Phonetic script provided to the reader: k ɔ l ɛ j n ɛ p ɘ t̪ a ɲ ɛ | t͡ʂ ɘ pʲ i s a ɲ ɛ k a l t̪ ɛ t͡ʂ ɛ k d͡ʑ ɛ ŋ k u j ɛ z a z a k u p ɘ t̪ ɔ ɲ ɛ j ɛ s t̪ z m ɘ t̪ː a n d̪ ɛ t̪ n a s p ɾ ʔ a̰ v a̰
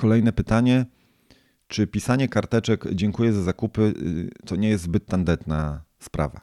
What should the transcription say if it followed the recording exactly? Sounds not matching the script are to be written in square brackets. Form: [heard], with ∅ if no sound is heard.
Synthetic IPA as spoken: k ɔ l ɛ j n ɛ p ɘ t̪ a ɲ ɛ | t͡ʂ ɘ pʲ i s a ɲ ɛ k a [ɾ] t̪ ɛ t͡ʂ ɛ k d͡ʑ ɛ ŋ k u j ɛ z a z a k u p ɘ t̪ ɔ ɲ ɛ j ɛ s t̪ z [b] ɘ t̪ː a n d̪ ɛ t̪ n a s p ɾ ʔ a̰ v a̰